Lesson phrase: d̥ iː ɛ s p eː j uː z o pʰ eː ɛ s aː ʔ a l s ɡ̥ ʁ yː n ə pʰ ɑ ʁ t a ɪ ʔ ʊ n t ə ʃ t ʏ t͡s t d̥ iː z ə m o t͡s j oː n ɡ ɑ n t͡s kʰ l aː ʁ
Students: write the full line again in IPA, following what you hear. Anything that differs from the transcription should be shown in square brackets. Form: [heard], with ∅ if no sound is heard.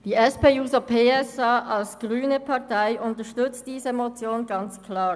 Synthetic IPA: d̥ iː ɛ s p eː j uː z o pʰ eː ɛ s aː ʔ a l s ɡ̥ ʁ yː n ə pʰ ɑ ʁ t a ɪ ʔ ʊ n t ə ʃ t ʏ t͡s t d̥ iː z ə m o t͡s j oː n ɡ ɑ n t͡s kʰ l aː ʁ